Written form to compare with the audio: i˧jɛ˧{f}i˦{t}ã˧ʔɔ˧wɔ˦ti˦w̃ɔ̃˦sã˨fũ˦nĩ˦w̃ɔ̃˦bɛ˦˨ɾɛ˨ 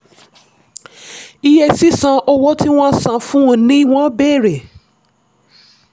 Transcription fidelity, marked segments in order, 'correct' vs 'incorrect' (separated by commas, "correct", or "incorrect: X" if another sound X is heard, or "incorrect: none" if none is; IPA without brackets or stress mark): incorrect: s, incorrect: s